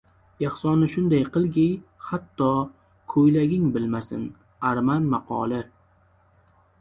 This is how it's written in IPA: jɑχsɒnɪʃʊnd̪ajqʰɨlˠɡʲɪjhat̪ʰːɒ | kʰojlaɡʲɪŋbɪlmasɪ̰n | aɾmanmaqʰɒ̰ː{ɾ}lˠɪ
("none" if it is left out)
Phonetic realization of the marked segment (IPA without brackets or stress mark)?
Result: none